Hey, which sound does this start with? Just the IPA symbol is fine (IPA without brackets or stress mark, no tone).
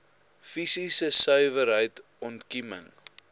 f